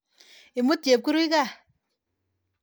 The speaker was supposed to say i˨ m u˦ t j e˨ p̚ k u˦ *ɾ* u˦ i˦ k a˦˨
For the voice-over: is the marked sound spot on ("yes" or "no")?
yes